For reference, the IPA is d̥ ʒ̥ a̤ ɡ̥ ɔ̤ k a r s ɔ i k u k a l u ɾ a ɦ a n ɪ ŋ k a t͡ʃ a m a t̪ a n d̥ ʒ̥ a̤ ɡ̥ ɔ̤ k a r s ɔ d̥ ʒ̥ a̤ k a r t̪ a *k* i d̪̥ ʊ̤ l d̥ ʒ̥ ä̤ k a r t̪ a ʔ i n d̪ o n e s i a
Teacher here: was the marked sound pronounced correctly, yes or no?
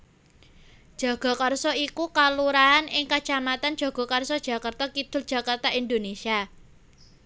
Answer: yes